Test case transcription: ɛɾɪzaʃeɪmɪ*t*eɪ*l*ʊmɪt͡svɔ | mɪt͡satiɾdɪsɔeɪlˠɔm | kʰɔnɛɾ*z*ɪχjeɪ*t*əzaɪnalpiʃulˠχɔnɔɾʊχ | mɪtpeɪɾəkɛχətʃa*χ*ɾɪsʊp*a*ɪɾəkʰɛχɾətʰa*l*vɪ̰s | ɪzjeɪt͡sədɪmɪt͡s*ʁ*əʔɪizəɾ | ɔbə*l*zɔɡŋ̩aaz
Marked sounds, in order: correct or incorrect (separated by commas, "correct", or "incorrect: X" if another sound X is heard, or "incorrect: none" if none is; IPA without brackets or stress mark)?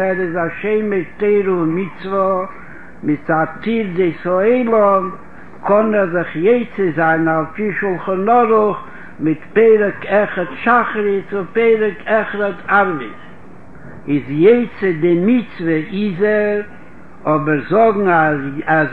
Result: correct, incorrect: ɾ, correct, incorrect: t͡s, correct, incorrect: e, incorrect: ɾ, incorrect: v, incorrect: ɾ